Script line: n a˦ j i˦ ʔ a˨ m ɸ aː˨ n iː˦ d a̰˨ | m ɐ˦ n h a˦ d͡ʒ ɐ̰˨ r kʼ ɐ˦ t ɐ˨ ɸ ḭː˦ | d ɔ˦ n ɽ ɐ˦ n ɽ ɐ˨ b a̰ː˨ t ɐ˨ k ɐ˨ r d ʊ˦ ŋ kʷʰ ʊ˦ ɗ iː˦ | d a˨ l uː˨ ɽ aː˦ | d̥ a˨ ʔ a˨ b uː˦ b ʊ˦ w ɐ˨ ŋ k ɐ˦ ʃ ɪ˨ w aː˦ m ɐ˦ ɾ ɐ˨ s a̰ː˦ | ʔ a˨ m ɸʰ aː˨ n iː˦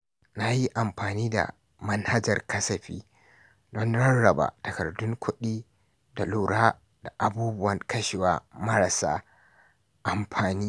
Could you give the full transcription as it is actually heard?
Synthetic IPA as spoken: n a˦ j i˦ ʔ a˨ m ɸ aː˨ n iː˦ d a̰˨ | m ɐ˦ n h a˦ d͡ʒ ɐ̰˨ r k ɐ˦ s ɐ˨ ɸ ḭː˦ | d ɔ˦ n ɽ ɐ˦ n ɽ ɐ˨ b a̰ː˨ t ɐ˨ k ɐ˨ r d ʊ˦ ŋ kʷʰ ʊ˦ ɗ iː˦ | d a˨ l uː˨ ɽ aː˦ | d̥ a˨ ʔ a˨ b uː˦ b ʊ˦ w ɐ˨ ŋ k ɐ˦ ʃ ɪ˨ w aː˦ m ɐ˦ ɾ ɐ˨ s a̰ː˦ | ʔ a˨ m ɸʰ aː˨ n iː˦

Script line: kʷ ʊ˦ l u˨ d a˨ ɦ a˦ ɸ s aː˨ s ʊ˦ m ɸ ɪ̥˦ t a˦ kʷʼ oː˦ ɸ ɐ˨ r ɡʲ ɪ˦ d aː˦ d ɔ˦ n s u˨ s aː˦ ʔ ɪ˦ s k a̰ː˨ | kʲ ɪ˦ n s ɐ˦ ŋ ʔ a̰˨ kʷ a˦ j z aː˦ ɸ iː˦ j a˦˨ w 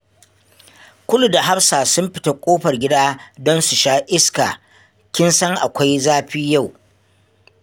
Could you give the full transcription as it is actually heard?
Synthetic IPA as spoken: kʷ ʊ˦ l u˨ d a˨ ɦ a˦ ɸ s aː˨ s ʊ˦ m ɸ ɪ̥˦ t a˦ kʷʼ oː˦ ɸ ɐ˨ r ɡʲ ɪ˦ d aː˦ d ɔ˦ n s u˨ ʃ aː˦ ʔ ɪ˦ s k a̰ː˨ | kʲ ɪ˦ n s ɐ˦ ŋ ʔ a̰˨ kʷ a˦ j z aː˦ ɸ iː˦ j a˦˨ w

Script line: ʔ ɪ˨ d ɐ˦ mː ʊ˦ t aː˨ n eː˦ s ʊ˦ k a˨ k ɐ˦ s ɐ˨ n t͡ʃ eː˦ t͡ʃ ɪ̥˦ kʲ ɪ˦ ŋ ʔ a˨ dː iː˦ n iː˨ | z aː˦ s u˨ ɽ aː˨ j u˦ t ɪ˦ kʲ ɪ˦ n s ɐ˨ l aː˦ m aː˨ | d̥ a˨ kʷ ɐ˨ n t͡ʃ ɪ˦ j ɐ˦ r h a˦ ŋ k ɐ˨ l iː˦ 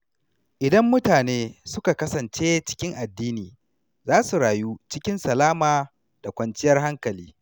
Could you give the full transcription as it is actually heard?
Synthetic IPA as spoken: ʔ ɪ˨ d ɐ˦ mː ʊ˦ t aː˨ n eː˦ s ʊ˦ k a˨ k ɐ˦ s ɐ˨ n t͡ʃ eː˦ t͡ʃ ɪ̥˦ kʲ ɪ˦ ŋ ʔ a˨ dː iː˦ n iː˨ | z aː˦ s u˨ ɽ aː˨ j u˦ t͡ʃ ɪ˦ kʲ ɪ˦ n s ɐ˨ l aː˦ m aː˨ | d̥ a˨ kʷ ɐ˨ n t͡ʃ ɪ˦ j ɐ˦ r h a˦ ŋ k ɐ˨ l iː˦

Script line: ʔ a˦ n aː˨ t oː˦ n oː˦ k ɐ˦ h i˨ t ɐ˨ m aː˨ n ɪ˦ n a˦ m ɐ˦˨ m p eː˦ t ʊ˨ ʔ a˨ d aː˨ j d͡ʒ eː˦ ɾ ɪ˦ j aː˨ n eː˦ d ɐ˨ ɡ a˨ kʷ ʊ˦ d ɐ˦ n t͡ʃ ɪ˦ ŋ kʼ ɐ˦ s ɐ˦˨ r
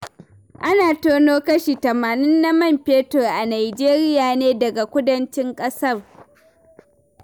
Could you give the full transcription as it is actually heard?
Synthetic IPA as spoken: ʔ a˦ n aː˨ t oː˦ n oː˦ k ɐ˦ ʃ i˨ t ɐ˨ m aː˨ n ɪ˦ nː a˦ m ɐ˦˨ m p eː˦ t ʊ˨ ʔ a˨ n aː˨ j d͡ʒ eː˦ ɾ ɪ˦ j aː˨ n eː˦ d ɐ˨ ɡ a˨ kʷ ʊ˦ d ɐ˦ n t͡ʃ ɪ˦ ŋ kʼ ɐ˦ s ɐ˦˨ r

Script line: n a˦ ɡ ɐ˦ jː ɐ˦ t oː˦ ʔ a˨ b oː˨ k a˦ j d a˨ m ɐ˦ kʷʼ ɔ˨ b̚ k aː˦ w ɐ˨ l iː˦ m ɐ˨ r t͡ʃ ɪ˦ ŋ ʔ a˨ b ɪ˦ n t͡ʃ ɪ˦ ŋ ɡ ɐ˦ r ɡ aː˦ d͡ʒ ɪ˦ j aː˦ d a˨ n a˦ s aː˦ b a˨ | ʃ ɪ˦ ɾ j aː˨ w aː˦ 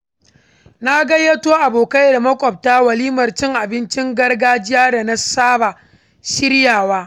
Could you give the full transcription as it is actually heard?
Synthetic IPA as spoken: n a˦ ɡ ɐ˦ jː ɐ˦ t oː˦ ʔ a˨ b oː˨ k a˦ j d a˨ m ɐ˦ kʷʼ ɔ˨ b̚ t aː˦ w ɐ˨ l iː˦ m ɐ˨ r t͡ʃ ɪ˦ ŋ ʔ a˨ b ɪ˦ n t͡ʃ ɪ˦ ŋ ɡ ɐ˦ r ɡ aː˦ d͡ʒ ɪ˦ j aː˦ d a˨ n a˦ s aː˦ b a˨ | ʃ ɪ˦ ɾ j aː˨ w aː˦

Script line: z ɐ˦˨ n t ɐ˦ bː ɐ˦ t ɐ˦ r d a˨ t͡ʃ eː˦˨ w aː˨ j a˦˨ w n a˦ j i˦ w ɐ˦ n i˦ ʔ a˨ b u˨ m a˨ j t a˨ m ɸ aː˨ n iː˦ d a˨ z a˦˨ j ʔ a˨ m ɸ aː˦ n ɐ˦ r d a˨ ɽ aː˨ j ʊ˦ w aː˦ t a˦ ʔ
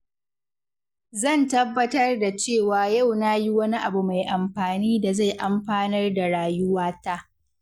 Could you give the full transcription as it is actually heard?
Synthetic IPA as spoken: z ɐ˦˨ n t ɐ˦ bː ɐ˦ t ɐ˦ r d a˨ t͡ʃ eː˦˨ w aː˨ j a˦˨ w n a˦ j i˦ w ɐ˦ n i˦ ʔ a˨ b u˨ m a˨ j ʔ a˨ m ɸ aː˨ n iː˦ d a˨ z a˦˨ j ʔ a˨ m ɸ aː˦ n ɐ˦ r d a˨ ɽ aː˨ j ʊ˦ w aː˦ t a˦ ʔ

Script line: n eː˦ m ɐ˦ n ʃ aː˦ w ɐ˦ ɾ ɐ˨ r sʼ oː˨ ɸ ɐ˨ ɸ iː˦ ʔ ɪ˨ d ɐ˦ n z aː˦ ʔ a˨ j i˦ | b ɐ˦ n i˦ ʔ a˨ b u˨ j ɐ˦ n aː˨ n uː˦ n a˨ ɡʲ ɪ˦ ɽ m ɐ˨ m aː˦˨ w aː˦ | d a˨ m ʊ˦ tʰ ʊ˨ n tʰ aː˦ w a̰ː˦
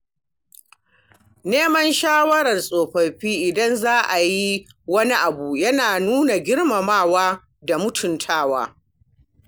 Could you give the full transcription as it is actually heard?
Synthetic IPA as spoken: n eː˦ m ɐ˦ n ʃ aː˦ w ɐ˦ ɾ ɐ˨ r sʼ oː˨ ɸ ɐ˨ ɸ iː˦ ʔ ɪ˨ d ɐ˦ n z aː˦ ʔ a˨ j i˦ | w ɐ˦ n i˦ ʔ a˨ b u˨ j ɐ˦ n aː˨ n uː˦ n a˨ ɡʲ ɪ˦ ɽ m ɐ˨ m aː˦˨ w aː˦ | d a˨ m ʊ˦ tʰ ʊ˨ n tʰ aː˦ w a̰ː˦

